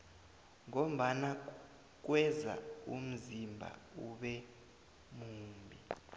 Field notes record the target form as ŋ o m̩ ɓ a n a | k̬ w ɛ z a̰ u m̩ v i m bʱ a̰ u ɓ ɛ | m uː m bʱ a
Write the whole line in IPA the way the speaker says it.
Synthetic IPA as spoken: ŋ o m̩ ɓ a n a | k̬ w ɛ z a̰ u m̩ z i m bʱ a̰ u ɓ ɛ | m uː m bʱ i